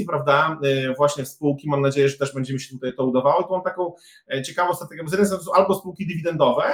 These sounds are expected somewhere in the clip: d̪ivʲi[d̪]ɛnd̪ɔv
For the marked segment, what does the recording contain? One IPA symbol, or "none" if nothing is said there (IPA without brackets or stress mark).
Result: d̪